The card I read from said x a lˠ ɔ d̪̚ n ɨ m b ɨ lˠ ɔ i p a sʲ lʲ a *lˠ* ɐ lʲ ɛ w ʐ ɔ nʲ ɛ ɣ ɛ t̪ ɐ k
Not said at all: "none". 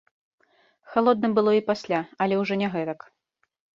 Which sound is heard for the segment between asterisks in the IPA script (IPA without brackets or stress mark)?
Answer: none